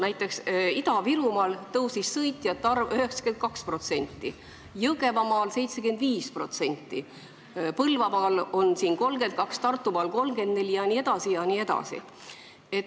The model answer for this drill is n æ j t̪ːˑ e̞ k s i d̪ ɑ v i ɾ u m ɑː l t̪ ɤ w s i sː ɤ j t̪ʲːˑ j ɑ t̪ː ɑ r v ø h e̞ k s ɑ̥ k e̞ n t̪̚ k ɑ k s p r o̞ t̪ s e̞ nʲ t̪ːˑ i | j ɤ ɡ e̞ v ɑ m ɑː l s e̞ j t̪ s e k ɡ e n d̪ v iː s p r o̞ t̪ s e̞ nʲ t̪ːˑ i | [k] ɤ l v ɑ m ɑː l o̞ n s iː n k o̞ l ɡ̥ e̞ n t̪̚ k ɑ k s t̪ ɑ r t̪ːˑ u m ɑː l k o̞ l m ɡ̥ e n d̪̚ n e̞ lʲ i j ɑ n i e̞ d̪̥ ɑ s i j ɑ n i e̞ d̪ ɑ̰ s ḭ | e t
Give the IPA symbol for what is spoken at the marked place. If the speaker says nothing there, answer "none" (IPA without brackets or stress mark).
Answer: p